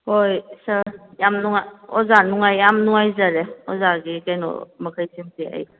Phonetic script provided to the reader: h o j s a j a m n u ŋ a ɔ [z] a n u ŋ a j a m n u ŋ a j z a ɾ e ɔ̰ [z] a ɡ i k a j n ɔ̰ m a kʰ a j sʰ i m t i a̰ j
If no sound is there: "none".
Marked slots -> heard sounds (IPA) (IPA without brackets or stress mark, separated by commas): z, z